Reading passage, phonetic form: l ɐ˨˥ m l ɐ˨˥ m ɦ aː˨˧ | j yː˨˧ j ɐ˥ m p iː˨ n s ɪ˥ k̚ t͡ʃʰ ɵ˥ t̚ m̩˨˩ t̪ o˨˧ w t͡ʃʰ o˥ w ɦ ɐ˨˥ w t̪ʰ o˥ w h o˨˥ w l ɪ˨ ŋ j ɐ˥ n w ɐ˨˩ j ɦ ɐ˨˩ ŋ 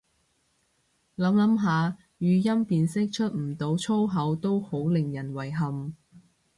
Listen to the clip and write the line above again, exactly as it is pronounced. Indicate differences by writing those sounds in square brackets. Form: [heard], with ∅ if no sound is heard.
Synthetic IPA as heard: l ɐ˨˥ m l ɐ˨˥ m ɦ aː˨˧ | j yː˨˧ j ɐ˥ m p iː˨ n s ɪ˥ k̚ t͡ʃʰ ɵ˥ t̚ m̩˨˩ t̪ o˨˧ w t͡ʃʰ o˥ w ɦ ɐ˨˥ w [t̪] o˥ w h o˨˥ w l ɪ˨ ŋ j [ɐ˨˩] n w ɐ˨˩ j ɦ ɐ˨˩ [m]

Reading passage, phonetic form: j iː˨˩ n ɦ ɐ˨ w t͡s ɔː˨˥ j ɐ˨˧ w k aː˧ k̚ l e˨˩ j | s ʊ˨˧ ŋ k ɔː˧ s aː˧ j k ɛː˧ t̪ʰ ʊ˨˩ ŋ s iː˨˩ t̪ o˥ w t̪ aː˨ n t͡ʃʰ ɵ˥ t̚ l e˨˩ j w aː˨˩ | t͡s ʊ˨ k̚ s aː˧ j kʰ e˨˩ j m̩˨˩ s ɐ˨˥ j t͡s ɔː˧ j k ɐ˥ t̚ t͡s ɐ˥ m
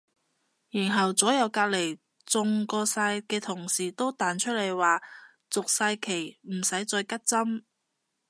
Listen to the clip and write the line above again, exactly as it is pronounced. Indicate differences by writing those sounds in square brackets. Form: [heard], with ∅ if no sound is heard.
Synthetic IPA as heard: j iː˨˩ n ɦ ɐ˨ w t͡s ɔː˨˥ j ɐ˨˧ w k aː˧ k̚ l e˨˩ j | [t͡s] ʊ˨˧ ŋ k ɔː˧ s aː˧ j k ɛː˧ t̪ʰ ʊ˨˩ ŋ s iː˨˩ t̪ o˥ w t̪ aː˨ n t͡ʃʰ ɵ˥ t̚ l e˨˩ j w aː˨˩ | t͡s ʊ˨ k̚ s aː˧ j kʰ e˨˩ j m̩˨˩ s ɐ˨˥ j t͡s ɔː˧ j k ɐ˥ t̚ t͡s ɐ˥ m

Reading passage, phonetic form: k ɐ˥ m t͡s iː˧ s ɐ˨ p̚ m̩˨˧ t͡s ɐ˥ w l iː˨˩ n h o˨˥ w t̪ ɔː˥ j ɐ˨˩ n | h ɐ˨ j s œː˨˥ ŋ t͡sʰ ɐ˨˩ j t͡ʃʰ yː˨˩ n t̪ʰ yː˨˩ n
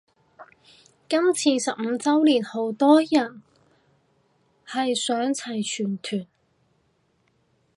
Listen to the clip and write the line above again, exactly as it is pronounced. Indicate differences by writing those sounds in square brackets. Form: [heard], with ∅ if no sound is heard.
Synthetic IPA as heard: k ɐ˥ m [t͡sʰ] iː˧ s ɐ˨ p̚ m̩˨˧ t͡s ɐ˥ w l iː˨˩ n h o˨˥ w t̪ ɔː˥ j ɐ˨˩ n | h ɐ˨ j s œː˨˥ ŋ t͡sʰ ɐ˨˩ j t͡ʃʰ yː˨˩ n t̪ʰ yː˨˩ n

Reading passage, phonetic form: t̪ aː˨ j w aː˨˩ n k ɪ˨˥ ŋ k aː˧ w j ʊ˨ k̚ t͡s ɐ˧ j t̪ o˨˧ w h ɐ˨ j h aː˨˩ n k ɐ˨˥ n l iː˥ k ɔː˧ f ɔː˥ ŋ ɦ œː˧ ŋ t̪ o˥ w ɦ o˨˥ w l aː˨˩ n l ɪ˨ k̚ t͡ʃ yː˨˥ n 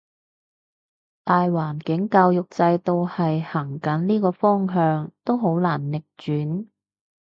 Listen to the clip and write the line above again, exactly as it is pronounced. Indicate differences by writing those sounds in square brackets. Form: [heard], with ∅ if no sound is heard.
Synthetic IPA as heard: t̪ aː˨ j w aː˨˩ n k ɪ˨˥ ŋ k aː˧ w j ʊ˨ k̚ t͡s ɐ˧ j t̪ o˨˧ w h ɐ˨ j h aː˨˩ [ŋ] k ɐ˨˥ n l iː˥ k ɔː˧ f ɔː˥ ŋ ɦ œː˧ ŋ t̪ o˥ w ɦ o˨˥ w l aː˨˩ n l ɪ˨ k̚ t͡ʃ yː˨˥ n

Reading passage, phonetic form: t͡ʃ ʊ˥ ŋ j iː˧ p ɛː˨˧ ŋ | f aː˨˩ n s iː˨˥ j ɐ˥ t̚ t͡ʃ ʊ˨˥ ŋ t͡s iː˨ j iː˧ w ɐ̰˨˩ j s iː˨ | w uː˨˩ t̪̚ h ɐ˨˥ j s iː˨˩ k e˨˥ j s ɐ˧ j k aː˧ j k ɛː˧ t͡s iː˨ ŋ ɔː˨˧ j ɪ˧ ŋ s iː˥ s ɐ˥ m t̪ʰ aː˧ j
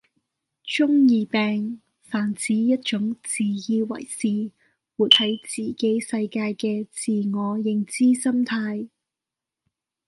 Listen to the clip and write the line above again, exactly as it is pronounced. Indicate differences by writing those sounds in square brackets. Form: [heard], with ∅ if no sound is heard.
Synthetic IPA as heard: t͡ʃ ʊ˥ ŋ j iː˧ p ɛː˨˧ ŋ | f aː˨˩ n [t͡s] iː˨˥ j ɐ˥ t̚ t͡ʃ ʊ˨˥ ŋ t͡s iː˨ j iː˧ w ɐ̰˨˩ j s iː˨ | w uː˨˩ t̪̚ h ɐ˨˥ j [t͡s] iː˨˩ k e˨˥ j s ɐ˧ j k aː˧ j k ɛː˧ t͡s iː˨ ŋ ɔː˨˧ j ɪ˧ ŋ [t͡s] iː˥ s ɐ˥ m t̪ʰ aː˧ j

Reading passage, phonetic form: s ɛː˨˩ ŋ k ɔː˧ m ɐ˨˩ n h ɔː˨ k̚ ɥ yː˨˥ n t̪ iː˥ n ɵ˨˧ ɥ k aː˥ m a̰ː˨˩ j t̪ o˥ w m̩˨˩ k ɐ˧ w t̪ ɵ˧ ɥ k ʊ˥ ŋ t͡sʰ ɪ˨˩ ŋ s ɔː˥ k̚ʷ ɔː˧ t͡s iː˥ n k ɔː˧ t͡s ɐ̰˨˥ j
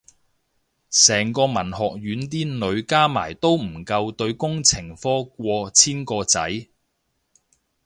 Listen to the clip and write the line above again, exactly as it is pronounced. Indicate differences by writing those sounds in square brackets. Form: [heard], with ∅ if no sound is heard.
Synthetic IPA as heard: s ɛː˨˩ ŋ k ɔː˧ m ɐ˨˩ n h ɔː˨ k̚ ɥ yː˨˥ n t̪ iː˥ n ɵ˨˧ ɥ k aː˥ m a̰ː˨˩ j t̪ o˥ w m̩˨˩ k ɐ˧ w t̪ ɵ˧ ɥ k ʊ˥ ŋ t͡sʰ ɪ˨˩ ŋ [f] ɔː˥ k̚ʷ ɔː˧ [t͡sʰ] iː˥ n k ɔː˧ t͡s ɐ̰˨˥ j

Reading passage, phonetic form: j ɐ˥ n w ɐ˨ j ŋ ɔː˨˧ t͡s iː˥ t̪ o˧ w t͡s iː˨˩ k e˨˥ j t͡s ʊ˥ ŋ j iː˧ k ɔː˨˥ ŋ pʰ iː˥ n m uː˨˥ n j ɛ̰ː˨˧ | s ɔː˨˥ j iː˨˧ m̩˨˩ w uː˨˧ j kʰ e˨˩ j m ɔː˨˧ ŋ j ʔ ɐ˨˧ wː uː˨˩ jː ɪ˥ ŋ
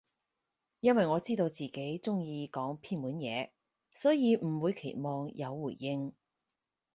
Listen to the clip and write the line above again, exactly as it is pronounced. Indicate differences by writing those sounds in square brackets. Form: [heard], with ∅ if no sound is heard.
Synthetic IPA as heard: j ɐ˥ n w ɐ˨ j ŋ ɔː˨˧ t͡s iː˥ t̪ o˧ w t͡s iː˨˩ k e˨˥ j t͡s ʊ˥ ŋ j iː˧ k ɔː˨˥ ŋ pʰ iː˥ n m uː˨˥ n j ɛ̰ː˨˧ | s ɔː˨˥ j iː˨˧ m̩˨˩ w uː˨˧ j kʰ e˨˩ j m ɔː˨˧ ŋ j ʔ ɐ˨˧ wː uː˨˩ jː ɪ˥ ŋ

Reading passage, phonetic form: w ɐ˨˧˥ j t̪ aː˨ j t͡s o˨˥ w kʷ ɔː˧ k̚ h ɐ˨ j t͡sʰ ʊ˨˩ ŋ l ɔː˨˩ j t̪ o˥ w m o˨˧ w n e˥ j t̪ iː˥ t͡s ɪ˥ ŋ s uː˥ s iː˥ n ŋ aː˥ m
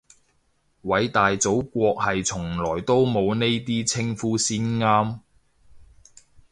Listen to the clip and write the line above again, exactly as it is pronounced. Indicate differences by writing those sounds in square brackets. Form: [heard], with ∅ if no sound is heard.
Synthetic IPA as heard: w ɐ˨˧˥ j t̪ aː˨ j t͡s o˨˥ w kʷ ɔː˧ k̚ h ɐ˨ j t͡sʰ ʊ˨˩ ŋ l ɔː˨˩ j t̪ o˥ w m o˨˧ w n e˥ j t̪ iː˥ [t͡sʰ] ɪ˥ ŋ [f] uː˥ s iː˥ n ŋ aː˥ m

